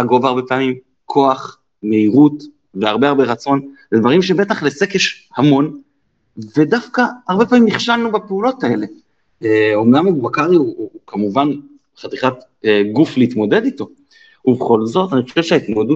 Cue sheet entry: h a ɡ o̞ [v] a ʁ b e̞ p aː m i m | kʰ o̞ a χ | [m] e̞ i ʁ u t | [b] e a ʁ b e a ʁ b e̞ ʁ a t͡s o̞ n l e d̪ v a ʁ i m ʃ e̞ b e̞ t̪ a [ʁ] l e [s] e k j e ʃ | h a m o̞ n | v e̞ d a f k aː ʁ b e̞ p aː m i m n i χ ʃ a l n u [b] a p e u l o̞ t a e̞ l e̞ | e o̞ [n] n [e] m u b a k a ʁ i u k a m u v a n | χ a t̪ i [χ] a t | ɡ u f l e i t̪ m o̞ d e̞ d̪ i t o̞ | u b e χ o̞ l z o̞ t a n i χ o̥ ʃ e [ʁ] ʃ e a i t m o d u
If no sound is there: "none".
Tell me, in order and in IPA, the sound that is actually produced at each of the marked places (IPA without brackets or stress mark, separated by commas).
v, m, v, χ, s, b, m, a, χ, v